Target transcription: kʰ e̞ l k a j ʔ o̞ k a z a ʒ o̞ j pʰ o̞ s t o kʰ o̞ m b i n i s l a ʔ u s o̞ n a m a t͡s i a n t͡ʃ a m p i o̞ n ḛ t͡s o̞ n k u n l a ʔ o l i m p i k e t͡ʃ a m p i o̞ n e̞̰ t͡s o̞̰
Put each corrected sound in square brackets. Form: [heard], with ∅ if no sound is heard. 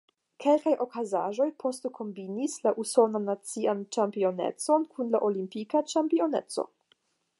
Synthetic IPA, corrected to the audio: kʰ e̞ l k a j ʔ o̞ k a z a ʒ o̞ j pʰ o̞ s t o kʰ o̞ m b i n i s l a ʔ u s o̞ n a [n] a t͡s i a n t͡ʃ a m p i o̞ n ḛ t͡s o̞ n k u n l a ʔ o l i m p i k [a] t͡ʃ a m p i o̞ n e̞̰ t͡s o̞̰

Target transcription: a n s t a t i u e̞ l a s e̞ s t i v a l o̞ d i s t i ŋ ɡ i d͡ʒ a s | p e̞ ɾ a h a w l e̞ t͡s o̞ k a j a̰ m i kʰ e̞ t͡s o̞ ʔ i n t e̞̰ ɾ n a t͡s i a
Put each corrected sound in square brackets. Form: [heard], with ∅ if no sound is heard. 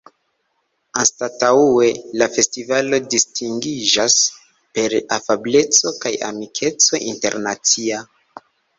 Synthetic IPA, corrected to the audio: a n s t a t [a] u e̞ l a [f] e̞ s t i v a l o̞ d i s t i ŋ ɡ i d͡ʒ a s | p e̞ ɾ a [f] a [b] l e̞ t͡s o̞ k a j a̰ m i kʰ e̞ t͡s o̞ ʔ i n t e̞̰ ɾ n a t͡s i a

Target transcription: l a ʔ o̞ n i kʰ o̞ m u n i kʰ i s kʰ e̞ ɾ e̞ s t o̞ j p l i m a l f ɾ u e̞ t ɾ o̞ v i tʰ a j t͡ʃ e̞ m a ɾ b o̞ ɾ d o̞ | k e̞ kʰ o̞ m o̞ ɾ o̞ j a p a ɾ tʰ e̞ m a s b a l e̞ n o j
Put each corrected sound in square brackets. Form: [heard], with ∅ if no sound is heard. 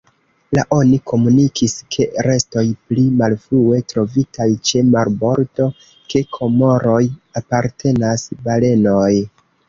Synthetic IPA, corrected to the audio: l a ʔ o̞ n i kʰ o̞ m u n i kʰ i s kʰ e̞ ɾ e̞ s t o̞ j p l i m a l f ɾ u e̞ t ɾ o̞ v i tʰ a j t͡ʃ e̞ m a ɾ b o̞ ɾ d o̞ | k e̞ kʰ o̞ m o̞ ɾ o̞ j a p a ɾ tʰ e̞ [n] a s b a l e̞ n o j

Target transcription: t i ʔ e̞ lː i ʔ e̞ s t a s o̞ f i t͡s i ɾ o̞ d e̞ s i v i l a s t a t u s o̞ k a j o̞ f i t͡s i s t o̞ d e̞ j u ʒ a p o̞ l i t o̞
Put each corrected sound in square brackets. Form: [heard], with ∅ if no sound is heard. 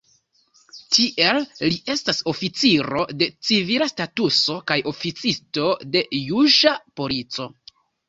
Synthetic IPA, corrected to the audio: t i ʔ e̞ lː i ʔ e̞ s t a s o̞ f i t͡s i ɾ o̞ d e̞ [t͡s] i v i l a s t a t u s o̞ k a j o̞ f i t͡s i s t o̞ d e̞ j u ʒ a p o̞ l i [t͡s] o̞

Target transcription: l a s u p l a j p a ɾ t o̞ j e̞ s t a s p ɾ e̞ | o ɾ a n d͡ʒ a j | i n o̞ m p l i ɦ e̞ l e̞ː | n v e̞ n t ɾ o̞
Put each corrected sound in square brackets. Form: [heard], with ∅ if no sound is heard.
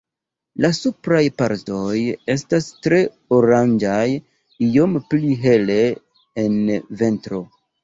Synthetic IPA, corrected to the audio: l a s u p [ɾ] a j p a ɾ t o̞ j e̞ s t a s [t] ɾ e̞ | o ɾ a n d͡ʒ a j | i [∅] o̞ m p l i ɦ e̞ l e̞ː | n v e̞ n t ɾ o̞

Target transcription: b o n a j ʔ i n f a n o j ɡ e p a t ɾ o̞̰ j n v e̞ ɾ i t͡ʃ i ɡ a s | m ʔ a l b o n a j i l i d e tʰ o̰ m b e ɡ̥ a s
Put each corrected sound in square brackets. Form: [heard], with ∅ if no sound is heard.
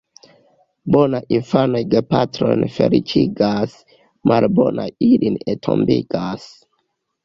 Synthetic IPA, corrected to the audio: b o n a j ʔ i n f a n o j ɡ e p a t ɾ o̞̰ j n [f] e̞ ɾ i t͡ʃ i ɡ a s | m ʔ a l b o n a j i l i [n] e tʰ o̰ m b [i] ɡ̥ a s

